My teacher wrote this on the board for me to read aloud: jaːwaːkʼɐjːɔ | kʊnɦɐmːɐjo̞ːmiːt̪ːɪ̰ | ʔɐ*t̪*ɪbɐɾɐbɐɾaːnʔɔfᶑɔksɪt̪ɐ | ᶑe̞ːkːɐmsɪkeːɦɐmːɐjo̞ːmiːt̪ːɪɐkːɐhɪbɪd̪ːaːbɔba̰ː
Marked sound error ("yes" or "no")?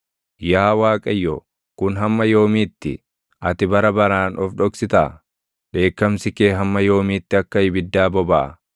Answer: no